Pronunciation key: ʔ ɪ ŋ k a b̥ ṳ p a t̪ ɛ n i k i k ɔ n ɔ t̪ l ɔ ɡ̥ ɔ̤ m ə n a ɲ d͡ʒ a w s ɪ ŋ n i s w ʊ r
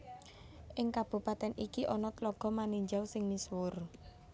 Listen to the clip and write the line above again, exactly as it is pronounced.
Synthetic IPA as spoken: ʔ ɪ ŋ k a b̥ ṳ p a t̪ ɛ n i k i ʔ ɔ n ɔ t̪ l ɔ ɡ̥ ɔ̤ m a n i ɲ d͡ʒ a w s ɪ ŋ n i s w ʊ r